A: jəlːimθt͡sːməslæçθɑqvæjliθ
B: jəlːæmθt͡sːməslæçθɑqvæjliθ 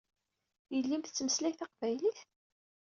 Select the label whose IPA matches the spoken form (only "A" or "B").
A